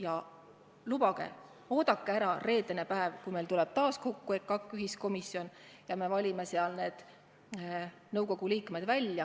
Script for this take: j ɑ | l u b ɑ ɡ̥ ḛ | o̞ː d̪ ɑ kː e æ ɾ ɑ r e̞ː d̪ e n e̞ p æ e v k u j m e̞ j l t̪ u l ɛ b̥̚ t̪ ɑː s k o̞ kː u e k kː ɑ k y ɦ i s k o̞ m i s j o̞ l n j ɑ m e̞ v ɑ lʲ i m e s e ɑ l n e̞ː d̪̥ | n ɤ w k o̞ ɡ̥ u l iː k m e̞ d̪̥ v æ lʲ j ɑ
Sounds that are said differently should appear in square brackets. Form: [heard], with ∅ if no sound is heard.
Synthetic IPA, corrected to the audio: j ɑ | l u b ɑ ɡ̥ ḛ | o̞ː d̪ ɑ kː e æ ɾ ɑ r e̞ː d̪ e n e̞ p æ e v k u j m e̞ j l t̪ u l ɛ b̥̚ t̪ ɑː s k o̞ kː u e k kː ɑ k y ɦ i s k o̞ m i s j o̞ [∅] n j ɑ m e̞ v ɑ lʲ i m e s e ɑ l n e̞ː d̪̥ | n ɤ w k o̞ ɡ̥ u l iː k m e̞ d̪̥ v æ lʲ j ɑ